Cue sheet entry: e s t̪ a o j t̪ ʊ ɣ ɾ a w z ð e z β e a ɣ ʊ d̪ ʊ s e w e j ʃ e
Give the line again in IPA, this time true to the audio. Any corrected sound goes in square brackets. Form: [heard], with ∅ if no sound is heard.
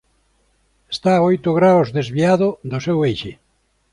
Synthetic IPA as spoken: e s t̪ a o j t̪ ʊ ɣ ɾ a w z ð e z β [i] a [ð] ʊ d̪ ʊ s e w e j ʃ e